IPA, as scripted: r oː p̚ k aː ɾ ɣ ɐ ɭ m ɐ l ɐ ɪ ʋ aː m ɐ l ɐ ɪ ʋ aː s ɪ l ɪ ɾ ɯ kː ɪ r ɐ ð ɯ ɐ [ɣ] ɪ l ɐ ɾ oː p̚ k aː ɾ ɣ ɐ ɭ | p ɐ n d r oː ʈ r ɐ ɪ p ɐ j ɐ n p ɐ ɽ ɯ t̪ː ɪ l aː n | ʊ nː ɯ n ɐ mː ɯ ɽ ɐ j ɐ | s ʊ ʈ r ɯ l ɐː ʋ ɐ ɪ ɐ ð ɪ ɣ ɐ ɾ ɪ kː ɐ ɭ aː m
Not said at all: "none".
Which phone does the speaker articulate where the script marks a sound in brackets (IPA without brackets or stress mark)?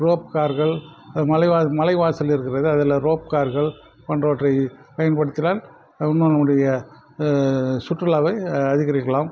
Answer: ð